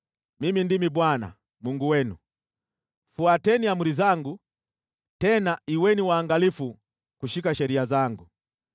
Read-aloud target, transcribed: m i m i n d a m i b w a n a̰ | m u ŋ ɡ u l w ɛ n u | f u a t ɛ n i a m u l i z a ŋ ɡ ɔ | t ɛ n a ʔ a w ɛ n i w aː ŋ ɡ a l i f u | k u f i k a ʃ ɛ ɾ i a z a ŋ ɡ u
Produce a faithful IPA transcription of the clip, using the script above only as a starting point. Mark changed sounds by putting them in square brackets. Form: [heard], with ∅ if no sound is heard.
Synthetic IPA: m i m i n d [i] m i b w a n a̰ | m u ŋ ɡ u [∅] w ɛ n u | f u a t ɛ n i a m u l i z a ŋ ɡ [u] | t ɛ n a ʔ [i] w ɛ n i w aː ŋ ɡ a l i f u | k u [ʃ] i k a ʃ ɛ ɾ i a z a ŋ ɡ u